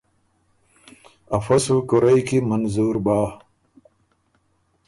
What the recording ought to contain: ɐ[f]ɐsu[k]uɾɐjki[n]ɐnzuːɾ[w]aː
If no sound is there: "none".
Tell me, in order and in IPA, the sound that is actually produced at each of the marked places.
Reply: f, k, m, b

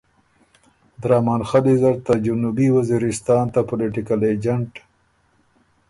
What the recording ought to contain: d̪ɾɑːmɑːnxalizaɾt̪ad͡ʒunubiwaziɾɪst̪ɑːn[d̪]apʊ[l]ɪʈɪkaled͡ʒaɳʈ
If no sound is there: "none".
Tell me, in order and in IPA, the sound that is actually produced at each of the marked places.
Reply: t̪, l

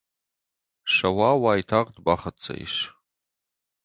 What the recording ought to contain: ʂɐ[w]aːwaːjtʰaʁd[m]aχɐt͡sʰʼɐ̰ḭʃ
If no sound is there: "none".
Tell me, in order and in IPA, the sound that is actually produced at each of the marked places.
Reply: w, b

